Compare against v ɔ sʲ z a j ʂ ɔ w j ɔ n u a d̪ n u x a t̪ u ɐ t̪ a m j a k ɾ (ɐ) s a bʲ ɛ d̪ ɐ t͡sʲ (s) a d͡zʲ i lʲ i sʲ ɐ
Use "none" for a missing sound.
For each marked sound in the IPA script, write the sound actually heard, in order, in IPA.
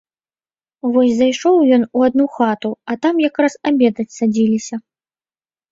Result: a, s

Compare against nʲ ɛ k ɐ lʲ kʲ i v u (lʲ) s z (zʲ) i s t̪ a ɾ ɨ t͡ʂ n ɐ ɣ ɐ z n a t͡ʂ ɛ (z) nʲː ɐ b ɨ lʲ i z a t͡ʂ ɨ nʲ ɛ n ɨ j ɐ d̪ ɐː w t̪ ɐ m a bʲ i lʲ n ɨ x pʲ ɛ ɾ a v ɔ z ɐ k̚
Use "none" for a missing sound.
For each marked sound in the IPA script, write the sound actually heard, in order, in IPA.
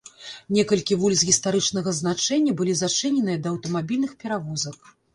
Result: lʲ, ɣʲ, none

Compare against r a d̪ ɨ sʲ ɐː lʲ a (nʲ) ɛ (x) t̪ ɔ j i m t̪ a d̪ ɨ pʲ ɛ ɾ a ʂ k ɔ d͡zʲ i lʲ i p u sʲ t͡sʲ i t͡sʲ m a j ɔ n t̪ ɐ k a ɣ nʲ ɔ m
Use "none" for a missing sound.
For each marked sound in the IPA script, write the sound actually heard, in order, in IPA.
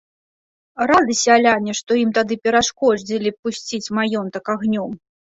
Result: nʲ, ʂ

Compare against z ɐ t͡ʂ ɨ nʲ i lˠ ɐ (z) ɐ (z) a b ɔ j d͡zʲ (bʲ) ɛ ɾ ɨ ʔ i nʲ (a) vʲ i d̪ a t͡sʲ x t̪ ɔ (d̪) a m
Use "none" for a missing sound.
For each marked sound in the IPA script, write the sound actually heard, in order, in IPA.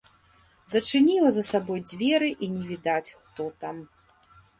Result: z, s, vʲ, ɛ, t̪

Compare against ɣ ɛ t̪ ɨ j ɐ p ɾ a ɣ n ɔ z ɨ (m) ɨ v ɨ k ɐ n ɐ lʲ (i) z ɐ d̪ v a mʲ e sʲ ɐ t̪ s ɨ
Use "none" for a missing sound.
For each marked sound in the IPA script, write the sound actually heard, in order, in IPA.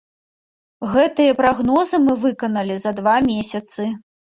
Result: m, i

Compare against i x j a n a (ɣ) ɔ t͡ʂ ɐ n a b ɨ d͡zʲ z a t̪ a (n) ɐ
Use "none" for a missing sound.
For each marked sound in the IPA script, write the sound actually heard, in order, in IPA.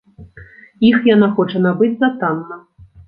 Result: x, nː

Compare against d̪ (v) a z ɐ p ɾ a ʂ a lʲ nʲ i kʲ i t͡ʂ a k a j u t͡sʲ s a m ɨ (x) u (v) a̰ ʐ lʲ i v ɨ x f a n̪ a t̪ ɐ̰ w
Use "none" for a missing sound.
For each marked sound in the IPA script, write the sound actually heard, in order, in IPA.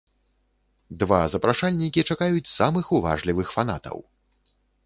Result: v, x, v

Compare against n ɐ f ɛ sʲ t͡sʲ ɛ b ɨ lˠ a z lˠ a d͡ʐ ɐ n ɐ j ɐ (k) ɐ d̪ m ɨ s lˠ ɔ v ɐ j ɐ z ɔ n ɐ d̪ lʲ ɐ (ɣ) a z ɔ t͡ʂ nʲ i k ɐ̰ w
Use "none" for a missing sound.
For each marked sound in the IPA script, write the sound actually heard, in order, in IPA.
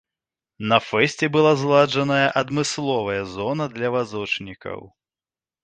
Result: ʔ, v

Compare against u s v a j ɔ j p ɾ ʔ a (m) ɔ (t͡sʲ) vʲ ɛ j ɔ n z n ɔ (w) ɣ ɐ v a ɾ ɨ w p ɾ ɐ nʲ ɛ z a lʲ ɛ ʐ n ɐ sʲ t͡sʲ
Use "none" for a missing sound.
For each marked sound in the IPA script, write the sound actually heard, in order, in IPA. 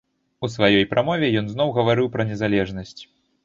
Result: m, none, w

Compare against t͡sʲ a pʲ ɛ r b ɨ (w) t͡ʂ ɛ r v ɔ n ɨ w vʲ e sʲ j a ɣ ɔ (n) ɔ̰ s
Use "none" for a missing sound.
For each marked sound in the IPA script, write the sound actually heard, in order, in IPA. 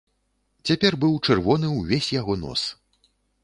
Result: w, n

